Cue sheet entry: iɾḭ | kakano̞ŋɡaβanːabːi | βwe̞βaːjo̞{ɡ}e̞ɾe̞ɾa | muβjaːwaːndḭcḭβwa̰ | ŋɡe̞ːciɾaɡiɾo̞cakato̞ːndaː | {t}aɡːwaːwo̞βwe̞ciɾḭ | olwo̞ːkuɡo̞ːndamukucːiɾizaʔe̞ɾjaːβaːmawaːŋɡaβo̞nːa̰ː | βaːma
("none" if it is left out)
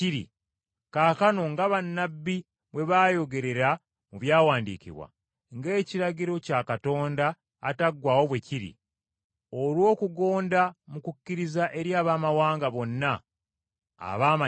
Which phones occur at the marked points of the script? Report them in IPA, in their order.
ɡ, t

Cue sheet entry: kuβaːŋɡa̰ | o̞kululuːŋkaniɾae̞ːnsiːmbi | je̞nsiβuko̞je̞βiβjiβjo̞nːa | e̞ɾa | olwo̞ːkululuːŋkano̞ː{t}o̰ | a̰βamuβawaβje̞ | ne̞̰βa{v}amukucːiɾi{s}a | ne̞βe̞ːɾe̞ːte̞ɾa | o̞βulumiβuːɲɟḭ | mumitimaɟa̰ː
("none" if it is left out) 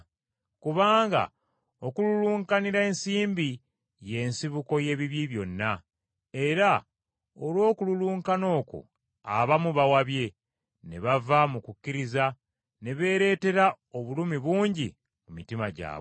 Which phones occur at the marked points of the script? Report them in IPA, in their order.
k, v, z

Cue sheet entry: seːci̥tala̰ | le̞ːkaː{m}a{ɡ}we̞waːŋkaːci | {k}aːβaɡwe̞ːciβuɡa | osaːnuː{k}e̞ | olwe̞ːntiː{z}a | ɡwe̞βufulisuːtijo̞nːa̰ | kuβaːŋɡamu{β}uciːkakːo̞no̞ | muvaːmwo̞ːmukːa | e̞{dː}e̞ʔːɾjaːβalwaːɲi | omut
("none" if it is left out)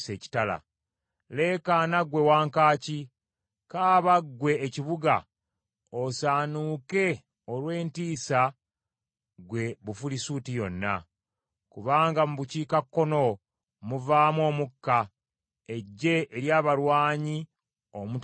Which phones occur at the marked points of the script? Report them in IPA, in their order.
n, ɡ, k, k, s, β, ɟː

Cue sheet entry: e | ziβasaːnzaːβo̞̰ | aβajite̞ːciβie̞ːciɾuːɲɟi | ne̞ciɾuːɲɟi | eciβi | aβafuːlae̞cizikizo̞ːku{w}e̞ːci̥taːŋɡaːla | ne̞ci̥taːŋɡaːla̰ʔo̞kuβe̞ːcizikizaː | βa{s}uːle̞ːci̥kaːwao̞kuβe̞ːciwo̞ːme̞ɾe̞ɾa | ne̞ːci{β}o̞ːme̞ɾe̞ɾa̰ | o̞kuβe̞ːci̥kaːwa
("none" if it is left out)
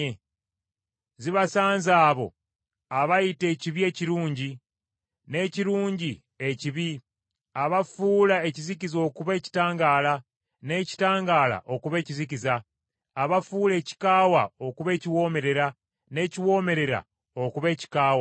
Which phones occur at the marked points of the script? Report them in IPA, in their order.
β, f, w

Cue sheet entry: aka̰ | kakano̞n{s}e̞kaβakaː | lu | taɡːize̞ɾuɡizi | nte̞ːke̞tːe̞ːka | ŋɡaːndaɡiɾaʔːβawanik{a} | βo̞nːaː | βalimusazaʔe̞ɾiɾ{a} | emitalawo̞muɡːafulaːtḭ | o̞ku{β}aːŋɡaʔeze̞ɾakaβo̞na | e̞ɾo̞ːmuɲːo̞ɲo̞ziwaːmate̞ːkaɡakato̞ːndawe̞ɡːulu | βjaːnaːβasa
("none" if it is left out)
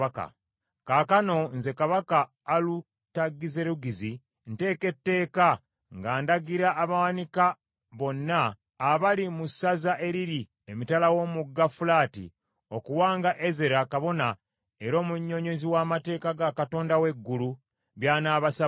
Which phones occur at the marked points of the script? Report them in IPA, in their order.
z, a, i, w

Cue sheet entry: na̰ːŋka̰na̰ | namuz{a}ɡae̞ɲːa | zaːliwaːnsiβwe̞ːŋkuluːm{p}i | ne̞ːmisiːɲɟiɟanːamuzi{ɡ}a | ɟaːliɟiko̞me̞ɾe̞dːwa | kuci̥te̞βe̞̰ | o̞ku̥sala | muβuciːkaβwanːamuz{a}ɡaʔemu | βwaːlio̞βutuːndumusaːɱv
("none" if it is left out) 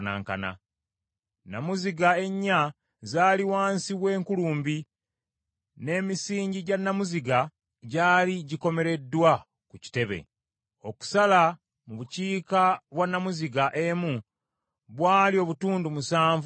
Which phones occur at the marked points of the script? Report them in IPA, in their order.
i, b, ɡ, i

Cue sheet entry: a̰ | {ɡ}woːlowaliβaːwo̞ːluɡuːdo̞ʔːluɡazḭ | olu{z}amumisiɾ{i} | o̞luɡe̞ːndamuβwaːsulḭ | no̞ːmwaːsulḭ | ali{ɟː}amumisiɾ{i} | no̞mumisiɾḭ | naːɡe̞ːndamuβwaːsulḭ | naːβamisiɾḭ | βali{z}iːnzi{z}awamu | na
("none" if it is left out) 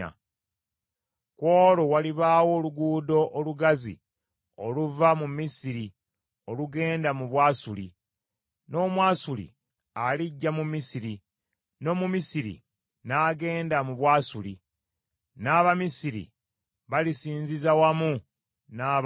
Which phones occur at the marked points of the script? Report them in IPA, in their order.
k, v, i, ɟː, i, s, z

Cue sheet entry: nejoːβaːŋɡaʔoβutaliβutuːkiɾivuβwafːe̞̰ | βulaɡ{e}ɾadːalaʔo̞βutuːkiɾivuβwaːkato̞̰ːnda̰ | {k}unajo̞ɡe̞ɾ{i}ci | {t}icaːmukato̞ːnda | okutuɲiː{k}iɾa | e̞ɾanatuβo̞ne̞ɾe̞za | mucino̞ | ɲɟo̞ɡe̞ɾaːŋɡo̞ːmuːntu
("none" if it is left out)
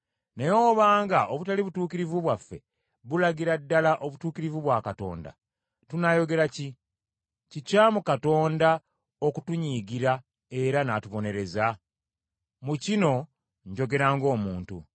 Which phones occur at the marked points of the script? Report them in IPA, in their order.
i, t, a, c, ɡ

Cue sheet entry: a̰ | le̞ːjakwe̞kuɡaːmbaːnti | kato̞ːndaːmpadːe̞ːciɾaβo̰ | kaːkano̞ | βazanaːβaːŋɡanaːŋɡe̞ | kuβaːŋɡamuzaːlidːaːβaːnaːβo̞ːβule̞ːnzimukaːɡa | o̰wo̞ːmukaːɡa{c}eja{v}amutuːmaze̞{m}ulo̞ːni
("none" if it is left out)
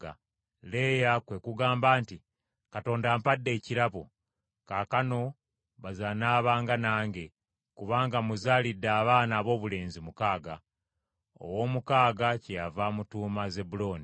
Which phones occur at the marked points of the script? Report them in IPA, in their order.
c, v, b

